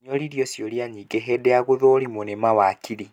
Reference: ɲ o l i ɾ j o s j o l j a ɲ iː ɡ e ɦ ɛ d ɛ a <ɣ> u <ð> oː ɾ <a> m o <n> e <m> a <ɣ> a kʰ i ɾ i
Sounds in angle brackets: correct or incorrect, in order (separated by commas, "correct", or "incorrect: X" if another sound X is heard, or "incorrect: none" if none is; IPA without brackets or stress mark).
correct, correct, incorrect: i, correct, correct, incorrect: w